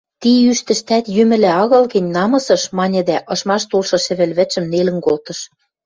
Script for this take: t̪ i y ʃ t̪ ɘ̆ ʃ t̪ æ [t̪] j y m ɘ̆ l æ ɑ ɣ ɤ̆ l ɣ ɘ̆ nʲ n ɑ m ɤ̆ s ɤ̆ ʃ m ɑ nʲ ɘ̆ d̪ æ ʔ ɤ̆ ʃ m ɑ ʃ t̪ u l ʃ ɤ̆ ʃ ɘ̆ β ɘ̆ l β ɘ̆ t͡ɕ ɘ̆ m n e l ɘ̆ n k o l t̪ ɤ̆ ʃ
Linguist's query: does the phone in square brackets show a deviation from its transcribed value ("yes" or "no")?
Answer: no